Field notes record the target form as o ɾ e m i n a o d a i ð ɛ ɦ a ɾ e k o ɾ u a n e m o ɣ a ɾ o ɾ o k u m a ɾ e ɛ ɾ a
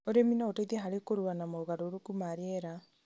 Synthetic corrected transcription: o ɾ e m i n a o t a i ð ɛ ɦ a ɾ e k o ɾ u a n a m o ɣ a ɾ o ɾ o k u m a ɾ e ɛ ɾ a